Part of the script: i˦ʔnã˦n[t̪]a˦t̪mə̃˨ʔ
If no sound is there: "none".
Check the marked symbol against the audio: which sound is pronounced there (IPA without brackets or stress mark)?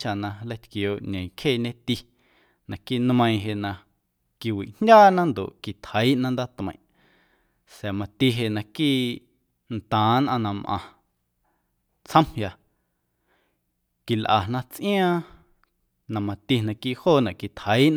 d̪